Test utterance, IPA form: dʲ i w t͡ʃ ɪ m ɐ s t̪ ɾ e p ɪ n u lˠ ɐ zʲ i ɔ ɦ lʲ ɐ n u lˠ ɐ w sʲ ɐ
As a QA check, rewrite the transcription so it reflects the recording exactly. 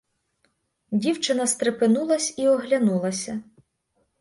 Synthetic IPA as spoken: dʲ i w t͡ʃ ɪ n ɐ s t̪ ɾ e p ɪ n u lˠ ɐ sʲ i ɔ ɦ lʲ ɐ n u lˠ ɐ sʲ ɐ